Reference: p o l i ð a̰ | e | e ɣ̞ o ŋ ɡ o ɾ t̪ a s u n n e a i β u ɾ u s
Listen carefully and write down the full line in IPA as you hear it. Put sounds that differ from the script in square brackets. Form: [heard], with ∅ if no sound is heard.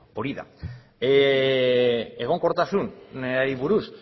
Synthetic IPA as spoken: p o [ɾ] i ð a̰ | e | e ɣ̞ o ŋ [k] o ɾ t̪ a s u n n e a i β u ɾ u s